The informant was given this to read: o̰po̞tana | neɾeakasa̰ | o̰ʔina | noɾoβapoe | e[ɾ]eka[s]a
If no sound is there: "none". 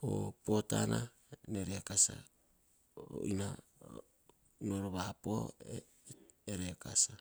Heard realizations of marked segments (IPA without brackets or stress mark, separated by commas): ɾ, s